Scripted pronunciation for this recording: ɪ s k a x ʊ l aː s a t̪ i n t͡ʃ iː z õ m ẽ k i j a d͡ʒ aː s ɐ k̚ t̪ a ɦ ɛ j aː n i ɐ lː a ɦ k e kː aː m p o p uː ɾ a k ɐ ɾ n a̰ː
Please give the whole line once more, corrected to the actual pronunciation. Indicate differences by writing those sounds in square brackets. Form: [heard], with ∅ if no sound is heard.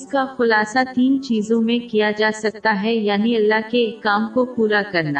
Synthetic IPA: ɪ s k a x ʊ l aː s a t̪ [iː] n t͡ʃ iː z õ m ẽ k i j a d͡ʒ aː s ɐ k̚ t̪ a ɦ ɛ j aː n i ɐ lː a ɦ k e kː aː m [k] o p uː ɾ a k ɐ ɾ n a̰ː